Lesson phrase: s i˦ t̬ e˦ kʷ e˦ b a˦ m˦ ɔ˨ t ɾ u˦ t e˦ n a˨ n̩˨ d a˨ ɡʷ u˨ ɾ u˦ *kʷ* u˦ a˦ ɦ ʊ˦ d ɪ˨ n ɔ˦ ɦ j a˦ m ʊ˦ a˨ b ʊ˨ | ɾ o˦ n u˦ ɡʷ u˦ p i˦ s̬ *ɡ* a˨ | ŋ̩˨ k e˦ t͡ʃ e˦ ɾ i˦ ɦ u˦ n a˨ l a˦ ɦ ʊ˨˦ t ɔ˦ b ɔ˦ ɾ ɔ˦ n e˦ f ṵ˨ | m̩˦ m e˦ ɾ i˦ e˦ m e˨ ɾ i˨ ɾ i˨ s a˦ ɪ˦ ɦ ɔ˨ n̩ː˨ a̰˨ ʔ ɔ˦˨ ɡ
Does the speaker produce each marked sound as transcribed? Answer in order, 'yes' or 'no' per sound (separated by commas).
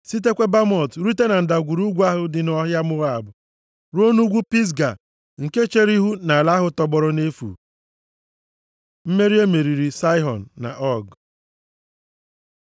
no, yes